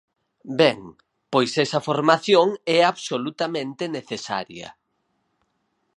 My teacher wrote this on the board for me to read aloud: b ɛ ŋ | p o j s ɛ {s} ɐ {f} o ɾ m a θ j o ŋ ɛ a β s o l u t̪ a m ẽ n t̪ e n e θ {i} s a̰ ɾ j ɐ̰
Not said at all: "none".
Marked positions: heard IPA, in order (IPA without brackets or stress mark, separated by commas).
s, f, e